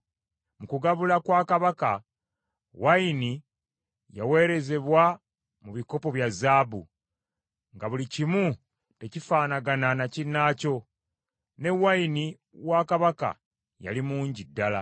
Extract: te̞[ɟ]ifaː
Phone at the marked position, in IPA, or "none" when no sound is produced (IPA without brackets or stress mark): c